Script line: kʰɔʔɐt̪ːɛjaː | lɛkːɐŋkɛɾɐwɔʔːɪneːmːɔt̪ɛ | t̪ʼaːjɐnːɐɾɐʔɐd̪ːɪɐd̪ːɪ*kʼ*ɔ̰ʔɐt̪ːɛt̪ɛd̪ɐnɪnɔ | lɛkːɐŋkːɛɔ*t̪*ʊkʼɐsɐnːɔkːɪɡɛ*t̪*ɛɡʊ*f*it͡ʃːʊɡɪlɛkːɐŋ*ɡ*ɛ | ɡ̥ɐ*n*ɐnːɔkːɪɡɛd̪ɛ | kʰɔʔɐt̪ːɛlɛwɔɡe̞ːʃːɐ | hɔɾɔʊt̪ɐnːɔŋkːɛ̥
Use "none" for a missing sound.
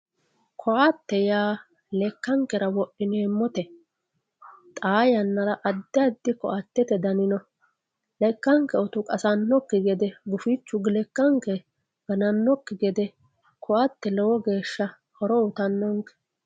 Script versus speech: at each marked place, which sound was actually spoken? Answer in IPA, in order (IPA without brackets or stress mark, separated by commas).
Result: k, t̪, d̪, f, k, n